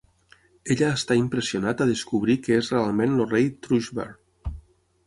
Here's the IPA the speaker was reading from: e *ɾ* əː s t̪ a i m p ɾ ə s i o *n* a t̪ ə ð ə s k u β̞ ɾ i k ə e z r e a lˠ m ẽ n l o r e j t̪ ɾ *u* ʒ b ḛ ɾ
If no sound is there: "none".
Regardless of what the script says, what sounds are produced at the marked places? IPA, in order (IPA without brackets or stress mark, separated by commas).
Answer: ʎ, n, u